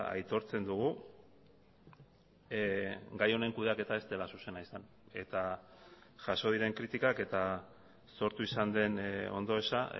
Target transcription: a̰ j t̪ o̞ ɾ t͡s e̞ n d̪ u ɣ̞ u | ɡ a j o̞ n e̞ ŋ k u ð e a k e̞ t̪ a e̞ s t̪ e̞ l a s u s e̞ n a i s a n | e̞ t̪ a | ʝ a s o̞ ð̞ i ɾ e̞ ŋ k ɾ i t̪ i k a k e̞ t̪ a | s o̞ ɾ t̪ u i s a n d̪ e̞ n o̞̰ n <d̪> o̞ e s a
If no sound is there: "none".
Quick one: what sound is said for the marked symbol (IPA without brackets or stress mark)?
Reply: d̪